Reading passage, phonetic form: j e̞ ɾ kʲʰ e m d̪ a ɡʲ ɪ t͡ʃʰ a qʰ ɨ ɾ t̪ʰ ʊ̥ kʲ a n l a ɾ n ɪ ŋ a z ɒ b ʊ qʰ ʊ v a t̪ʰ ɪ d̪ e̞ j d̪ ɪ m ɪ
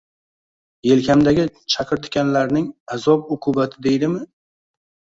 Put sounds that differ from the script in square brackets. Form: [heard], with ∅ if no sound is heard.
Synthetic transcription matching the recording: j e̞ [l] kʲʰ [a] m d̪ a ɡʲ ɪ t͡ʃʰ a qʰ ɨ ɾ t̪ʰ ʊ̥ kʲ a n l a ɾ n ɪ ŋ a z ɒ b ʊ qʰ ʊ [b] a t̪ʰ ɪ d̪ e̞ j d̪ ɪ m ɪ